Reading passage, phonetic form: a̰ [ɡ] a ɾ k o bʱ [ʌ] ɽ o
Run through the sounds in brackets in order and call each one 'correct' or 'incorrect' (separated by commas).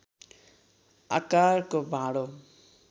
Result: incorrect, incorrect